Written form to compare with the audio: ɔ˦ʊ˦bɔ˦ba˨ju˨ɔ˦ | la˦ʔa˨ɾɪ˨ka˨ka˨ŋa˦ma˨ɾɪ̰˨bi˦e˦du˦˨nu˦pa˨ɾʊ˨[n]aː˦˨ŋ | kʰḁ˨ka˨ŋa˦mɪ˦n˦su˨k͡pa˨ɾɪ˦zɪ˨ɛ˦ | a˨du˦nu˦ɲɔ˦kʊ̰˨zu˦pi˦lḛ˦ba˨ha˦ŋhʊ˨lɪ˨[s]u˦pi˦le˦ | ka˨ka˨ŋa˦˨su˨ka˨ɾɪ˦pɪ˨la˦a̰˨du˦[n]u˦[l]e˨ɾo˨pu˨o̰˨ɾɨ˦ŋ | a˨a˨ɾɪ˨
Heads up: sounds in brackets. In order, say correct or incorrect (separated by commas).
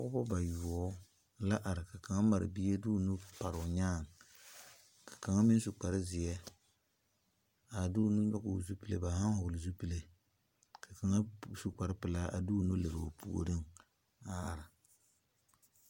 incorrect, incorrect, correct, correct